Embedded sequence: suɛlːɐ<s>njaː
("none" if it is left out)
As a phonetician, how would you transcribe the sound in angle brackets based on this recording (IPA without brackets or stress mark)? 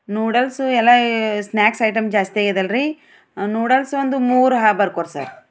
s